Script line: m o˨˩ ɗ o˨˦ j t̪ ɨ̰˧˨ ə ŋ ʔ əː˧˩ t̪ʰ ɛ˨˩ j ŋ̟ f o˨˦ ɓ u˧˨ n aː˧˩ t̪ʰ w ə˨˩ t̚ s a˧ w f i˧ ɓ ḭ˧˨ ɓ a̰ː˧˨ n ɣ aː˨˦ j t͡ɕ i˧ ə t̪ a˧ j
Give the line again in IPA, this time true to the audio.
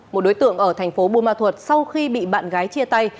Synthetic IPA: m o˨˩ ɗ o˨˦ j t̪ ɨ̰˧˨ ə ŋ ʔ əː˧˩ t̪ʰ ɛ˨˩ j ŋ̟ f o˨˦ ɓ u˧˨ m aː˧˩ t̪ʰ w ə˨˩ t̚ s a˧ w x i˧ ɓ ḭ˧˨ ɓ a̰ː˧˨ n ɣ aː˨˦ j t͡ɕ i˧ ə t̪ a˧ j